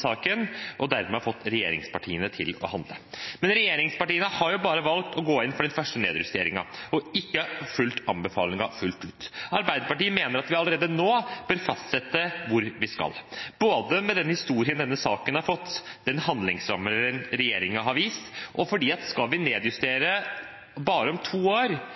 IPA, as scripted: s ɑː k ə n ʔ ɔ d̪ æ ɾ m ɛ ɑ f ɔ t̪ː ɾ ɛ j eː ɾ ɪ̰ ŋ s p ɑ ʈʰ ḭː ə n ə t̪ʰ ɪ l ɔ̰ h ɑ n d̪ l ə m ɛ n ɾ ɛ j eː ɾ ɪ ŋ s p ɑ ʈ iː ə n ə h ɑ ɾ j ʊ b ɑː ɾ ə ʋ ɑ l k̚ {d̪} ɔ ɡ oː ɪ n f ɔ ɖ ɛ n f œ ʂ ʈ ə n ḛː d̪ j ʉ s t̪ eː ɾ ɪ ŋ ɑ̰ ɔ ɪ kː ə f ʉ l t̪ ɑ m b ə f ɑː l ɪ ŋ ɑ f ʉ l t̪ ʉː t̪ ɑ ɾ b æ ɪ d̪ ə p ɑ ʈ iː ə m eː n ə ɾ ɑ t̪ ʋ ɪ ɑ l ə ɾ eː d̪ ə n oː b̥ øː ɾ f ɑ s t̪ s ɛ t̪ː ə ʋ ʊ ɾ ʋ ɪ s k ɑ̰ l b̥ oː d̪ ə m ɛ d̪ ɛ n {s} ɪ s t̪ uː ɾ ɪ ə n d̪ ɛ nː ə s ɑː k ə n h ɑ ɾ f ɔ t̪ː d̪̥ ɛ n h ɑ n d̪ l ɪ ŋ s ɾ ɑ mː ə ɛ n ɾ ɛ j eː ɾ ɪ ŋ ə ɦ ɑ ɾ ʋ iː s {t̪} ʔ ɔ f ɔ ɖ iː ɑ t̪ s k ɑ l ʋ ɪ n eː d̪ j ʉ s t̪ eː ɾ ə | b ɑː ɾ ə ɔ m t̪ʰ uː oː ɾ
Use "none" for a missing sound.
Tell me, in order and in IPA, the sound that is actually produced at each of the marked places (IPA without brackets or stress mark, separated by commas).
t̪, h, t̪